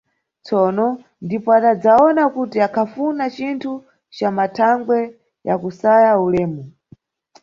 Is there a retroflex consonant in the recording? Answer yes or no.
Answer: no